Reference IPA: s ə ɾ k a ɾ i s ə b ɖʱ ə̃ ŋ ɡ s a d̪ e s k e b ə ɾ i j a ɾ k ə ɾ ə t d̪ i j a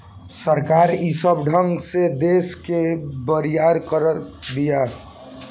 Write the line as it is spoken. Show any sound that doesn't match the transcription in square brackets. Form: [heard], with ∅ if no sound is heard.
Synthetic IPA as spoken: s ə ɾ k a ɾ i s ə b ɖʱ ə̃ ŋ ɡ s [e] d̪ e s k e b ə ɾ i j a ɾ k ə ɾ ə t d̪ i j a